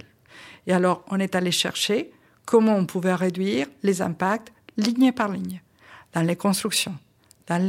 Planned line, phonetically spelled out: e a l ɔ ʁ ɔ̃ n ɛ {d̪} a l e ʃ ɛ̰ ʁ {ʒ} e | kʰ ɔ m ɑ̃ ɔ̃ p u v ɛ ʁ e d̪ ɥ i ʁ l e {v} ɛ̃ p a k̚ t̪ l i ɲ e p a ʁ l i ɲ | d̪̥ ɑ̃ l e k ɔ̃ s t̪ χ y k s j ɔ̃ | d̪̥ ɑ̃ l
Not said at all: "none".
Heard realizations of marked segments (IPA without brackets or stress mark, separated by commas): t̪, ʃ, z